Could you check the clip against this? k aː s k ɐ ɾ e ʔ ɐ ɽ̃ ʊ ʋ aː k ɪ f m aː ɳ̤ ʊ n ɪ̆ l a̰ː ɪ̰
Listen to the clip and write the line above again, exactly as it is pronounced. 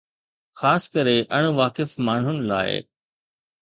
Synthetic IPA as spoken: x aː s k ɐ ɾ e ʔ ɐ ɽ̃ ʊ ʋ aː k ɪ f m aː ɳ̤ ʊ n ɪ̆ l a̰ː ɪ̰

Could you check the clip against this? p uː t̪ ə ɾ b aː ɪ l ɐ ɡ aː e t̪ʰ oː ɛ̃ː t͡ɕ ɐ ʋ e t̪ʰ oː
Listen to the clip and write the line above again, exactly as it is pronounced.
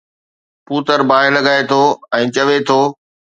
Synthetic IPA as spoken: p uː t̪ ə ɾ b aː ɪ l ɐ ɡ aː e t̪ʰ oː ɛ̃ː t͡ɕ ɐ ʋ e t̪ʰ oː

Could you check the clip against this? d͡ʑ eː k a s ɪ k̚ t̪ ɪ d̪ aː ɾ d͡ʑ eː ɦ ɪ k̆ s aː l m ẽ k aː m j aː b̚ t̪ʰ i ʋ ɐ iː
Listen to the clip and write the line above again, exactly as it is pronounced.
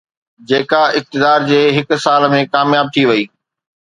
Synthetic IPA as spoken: d͡ʑ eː k a ɪ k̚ t̪ ɪ d̪ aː ɾ d͡ʑ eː ɦ ɪ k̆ s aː l m ẽ k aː m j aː b̚ t̪ʰ i ʋ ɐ iː

